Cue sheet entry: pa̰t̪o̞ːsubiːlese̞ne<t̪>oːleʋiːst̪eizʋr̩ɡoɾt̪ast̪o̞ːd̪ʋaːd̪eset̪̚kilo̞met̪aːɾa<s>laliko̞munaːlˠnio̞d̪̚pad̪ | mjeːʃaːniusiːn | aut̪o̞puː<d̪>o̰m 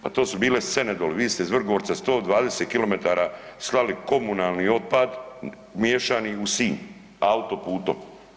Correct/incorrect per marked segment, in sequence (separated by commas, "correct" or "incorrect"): incorrect, correct, incorrect